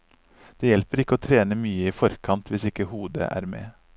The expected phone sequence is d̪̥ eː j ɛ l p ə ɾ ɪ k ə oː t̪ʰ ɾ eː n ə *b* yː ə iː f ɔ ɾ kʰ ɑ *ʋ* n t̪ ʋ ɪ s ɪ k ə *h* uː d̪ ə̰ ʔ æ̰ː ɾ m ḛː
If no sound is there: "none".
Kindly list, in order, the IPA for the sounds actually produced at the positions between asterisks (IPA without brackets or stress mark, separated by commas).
m, none, h